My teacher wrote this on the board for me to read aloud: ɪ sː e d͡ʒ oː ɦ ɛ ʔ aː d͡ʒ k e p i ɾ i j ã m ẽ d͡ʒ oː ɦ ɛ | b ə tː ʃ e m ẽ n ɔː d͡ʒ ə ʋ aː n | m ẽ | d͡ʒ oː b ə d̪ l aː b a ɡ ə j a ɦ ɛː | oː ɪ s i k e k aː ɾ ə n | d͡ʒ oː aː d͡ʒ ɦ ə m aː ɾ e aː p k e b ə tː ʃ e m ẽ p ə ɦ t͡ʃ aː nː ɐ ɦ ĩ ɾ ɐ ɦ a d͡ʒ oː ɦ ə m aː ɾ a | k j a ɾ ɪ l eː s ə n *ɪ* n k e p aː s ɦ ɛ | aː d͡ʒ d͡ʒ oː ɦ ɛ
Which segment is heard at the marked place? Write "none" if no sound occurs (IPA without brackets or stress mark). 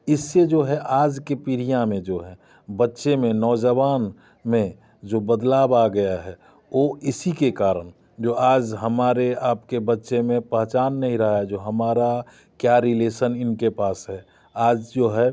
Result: ɪ